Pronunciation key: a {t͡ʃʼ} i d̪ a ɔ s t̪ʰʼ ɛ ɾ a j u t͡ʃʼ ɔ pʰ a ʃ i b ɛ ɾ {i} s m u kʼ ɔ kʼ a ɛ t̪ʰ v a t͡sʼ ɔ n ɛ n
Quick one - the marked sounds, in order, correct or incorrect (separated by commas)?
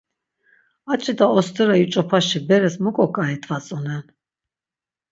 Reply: correct, incorrect